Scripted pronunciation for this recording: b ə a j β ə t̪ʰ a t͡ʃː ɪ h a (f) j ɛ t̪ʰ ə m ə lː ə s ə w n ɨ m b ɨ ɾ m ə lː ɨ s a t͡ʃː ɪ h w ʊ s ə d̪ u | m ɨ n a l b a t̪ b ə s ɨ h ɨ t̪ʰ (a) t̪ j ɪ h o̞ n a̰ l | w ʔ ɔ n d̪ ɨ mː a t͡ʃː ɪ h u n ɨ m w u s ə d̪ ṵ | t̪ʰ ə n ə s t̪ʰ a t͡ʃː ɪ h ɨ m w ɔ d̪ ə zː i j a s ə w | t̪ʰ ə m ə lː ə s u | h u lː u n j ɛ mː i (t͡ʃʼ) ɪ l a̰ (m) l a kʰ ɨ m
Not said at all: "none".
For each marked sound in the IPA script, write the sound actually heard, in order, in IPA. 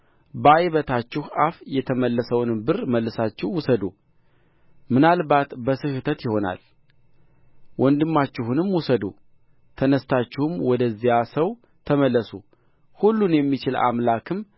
f, ə, t͡ʃ, m

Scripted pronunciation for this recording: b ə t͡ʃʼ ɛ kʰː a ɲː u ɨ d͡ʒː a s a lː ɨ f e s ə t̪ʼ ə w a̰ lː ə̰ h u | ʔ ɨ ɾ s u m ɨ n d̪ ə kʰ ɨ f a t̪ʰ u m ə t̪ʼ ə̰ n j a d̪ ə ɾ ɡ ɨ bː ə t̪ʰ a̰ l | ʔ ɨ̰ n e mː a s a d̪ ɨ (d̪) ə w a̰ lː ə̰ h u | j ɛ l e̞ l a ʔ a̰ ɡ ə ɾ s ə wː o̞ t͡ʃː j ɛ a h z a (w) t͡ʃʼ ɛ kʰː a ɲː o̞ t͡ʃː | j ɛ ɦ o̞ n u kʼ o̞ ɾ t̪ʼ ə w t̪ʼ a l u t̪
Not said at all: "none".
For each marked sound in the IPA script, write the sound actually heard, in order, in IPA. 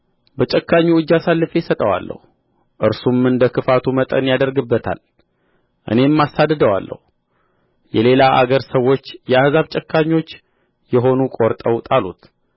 d̪, β

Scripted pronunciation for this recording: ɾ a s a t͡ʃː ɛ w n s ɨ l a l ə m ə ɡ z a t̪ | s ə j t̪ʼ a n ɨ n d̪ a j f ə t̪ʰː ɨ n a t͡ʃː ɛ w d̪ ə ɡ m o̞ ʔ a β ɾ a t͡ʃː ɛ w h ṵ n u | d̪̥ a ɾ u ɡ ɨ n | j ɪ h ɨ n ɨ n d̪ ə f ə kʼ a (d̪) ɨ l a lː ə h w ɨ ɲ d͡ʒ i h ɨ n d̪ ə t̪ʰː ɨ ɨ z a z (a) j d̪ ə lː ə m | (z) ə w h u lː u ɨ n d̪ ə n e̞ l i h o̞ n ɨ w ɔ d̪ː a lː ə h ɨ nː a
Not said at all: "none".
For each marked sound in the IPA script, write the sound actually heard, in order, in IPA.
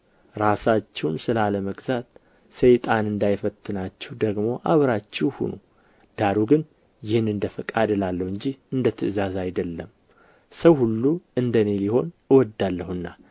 d̪, a, s

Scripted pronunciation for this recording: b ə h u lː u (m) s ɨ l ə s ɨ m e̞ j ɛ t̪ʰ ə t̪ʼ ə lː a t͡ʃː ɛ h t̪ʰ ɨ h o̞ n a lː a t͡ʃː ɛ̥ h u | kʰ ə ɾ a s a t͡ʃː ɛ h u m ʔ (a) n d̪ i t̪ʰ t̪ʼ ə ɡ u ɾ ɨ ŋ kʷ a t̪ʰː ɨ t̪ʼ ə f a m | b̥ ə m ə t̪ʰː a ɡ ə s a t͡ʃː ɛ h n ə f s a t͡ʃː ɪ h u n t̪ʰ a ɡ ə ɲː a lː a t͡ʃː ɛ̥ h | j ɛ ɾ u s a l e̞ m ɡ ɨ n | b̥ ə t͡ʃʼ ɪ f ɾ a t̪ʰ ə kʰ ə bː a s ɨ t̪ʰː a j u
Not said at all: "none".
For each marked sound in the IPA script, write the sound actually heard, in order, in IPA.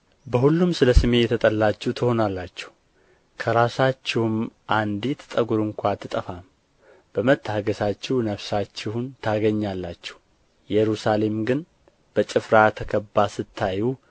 m, a

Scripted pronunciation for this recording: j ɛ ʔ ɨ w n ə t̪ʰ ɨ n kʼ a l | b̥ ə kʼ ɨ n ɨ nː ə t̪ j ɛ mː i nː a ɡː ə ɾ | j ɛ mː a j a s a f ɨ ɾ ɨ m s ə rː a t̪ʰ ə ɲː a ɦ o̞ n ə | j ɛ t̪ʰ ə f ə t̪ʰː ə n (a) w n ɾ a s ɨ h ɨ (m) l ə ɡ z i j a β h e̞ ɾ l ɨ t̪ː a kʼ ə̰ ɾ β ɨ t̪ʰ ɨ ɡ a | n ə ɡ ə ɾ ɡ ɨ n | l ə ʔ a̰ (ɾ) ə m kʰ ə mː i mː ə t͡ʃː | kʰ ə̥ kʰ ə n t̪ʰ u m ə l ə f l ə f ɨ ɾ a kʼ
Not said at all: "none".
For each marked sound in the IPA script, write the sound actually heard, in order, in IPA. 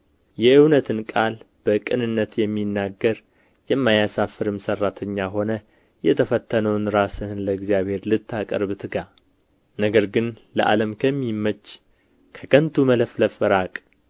ə, n, l

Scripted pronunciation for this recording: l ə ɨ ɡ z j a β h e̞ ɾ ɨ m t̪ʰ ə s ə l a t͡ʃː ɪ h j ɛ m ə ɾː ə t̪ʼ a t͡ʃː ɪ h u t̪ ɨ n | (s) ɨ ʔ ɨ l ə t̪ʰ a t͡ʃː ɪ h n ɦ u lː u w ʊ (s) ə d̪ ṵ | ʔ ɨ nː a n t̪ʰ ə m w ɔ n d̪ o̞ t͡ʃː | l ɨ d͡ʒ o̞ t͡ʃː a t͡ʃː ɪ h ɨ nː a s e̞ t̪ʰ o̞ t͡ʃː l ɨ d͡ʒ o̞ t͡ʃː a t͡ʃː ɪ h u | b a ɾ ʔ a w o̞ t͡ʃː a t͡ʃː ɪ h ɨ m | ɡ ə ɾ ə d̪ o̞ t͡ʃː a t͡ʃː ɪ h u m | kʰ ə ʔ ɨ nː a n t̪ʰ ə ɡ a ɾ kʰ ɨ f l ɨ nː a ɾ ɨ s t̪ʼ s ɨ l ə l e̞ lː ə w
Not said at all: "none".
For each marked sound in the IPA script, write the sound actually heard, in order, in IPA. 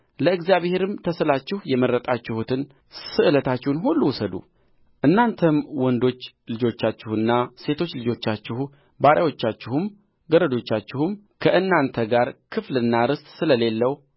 s, s

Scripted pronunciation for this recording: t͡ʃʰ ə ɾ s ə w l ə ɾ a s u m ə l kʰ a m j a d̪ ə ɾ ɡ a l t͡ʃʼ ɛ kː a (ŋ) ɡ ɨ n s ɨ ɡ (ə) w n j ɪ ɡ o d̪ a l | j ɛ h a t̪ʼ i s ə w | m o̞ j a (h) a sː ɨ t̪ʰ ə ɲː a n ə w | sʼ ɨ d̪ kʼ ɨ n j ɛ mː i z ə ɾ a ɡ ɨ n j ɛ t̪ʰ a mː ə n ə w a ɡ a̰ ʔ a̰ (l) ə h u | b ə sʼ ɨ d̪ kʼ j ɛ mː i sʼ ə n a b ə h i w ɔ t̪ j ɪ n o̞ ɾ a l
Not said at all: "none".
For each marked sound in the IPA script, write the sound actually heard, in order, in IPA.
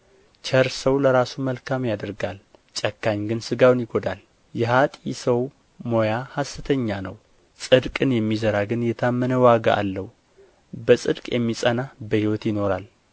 ɲ, a, h, lː

